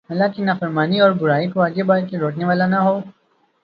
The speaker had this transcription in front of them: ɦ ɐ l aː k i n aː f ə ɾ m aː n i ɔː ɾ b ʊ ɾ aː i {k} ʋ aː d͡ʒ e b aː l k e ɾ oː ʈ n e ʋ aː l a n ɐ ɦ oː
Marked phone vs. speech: correct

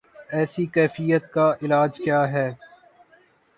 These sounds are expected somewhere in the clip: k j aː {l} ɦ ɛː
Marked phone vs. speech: incorrect: none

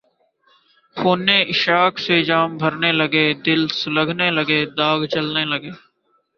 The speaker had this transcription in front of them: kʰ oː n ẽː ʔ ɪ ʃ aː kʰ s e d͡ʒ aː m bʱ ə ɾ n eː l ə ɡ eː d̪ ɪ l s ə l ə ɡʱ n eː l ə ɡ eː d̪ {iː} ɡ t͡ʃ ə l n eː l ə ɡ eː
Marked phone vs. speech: incorrect: aː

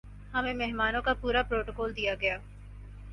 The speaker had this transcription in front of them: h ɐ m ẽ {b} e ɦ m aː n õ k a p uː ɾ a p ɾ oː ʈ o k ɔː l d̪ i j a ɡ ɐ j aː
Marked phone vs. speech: incorrect: m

